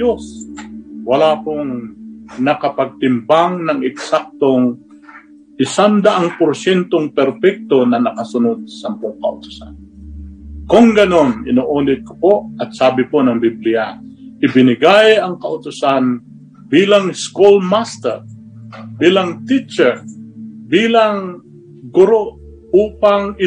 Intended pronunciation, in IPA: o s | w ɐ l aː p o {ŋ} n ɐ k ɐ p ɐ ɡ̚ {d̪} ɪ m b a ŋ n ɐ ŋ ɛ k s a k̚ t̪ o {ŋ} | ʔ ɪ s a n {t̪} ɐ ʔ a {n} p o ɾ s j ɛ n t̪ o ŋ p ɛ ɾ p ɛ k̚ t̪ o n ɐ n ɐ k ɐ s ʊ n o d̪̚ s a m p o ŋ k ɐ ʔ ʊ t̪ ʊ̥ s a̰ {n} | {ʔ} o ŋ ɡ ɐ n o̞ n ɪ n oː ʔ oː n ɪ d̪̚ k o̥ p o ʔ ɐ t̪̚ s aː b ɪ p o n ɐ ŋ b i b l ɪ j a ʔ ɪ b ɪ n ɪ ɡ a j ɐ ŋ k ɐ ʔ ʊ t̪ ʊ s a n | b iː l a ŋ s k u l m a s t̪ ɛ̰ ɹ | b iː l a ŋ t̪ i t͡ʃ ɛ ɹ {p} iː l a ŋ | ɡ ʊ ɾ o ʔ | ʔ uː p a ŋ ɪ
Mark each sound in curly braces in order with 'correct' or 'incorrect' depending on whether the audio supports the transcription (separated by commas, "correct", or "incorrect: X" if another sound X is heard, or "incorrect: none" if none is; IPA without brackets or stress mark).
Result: correct, incorrect: t̪, correct, incorrect: d̪, incorrect: ŋ, correct, incorrect: k, incorrect: b